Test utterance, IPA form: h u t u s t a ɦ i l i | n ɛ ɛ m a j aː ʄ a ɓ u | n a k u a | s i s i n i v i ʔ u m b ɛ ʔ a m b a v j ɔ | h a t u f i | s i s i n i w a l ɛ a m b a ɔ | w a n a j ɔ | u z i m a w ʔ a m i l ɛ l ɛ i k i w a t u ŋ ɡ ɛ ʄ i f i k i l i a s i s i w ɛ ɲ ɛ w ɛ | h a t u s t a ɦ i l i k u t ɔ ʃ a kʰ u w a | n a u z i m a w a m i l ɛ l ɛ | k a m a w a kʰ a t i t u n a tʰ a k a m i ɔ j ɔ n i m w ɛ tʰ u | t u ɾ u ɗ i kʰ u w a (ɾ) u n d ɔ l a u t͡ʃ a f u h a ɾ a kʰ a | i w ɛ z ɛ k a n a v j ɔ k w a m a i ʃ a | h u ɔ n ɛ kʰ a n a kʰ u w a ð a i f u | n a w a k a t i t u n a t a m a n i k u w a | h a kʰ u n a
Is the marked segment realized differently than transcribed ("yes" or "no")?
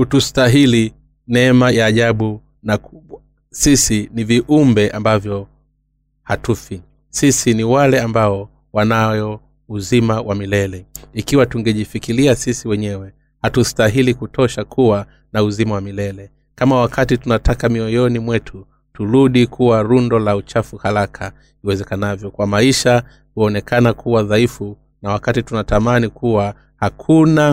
no